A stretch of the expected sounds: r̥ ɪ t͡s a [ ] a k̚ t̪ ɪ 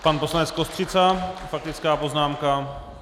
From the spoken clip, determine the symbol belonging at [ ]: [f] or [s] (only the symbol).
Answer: f